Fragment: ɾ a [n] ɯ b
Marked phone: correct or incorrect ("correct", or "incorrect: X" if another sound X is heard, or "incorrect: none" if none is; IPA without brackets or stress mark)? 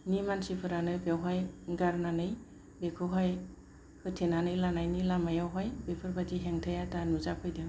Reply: correct